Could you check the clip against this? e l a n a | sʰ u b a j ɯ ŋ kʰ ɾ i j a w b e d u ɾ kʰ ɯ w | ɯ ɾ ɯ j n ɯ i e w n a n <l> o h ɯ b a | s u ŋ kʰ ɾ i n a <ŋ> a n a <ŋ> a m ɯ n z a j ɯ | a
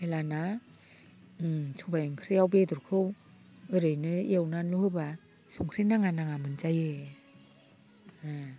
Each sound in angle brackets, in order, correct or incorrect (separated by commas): correct, correct, correct